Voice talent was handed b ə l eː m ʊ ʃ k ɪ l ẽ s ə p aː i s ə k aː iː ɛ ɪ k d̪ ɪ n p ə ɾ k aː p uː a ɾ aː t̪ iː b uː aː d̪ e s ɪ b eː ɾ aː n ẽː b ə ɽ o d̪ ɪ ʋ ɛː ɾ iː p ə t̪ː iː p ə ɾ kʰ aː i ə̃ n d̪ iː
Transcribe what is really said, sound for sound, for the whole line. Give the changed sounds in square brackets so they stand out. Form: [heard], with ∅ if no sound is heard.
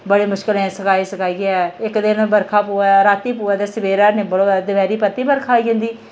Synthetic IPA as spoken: b ə [ɽ] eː m ʊ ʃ k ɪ l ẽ s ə [k] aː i s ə k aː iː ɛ ɪ k d̪ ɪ n [b] ə ɾ [kʰ] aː p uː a ɾ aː t̪ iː [p] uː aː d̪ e s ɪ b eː ɾ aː n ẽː b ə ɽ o d̪ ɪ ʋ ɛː ɾ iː p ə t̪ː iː [b] ə ɾ kʰ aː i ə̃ n d̪ iː